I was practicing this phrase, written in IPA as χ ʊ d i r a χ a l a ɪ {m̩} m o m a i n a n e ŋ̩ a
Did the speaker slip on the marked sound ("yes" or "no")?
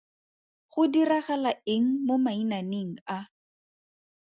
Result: yes